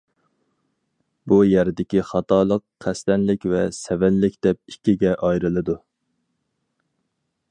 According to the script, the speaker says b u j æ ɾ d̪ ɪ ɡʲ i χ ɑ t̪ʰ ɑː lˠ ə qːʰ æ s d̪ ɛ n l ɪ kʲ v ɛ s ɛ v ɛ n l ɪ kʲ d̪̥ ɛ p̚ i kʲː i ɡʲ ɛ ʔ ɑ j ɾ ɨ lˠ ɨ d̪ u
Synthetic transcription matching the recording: b u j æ ɾ d̪ ɪ kʲ i χ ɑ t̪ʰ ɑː lˠ ə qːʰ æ s t̪ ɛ n l ɪ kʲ v ɛ s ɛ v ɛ n l ɪ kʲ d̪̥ ɛ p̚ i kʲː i ɡʲ ɛ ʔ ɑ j ɾ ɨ lˠ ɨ d̪ u